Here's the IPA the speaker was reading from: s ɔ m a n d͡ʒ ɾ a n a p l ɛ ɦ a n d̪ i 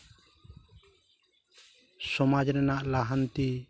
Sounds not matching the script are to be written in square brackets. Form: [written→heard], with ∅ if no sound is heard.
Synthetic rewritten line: s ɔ m a [n→∅] d͡ʒ ɾ [a→ɛ] n a [p→ʔ] l [ɛ→a] ɦ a n [d̪→t̪] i